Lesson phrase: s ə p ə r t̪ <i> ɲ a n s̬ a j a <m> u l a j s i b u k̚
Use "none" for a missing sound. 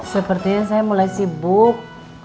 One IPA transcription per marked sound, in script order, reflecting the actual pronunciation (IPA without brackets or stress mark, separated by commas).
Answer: i, m